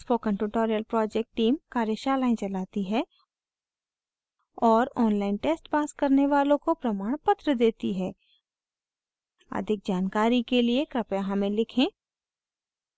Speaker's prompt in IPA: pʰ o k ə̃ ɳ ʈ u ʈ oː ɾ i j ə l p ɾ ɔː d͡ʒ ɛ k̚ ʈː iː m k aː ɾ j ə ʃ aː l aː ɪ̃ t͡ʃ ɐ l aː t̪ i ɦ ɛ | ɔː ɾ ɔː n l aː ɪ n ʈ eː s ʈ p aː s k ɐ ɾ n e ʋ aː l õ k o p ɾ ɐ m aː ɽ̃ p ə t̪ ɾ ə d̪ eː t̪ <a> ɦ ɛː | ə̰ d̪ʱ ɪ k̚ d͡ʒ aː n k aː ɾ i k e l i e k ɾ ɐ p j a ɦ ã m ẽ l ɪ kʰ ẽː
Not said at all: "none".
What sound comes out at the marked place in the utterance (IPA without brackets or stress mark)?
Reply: i